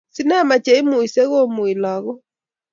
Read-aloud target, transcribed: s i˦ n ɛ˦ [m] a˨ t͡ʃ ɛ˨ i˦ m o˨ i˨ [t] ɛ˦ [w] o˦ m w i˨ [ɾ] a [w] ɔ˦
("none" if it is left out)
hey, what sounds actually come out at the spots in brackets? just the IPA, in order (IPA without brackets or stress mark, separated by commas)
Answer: m, s, ɣ, l, ɣ